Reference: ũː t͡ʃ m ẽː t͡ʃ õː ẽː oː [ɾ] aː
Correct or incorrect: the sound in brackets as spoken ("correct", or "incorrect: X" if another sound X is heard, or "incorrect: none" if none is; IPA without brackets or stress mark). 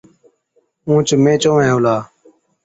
incorrect: l